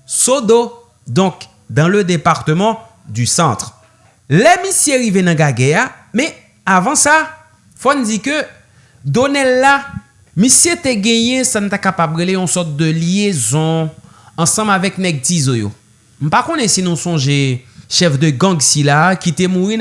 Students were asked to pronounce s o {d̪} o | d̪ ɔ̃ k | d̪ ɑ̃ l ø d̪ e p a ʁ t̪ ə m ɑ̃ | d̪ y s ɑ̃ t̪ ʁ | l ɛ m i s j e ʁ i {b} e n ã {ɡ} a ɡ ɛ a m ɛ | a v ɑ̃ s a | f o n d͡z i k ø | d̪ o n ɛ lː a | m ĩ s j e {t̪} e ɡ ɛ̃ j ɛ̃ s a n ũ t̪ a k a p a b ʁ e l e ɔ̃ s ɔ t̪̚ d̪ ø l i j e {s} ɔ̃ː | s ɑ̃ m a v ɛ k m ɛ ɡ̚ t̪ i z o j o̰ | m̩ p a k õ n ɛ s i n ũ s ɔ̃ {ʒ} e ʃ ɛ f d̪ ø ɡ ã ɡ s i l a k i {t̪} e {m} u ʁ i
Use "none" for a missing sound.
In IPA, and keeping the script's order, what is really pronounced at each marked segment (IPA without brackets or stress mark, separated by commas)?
d̪, v, ɡ, t̪, z, ʒ, t̪, m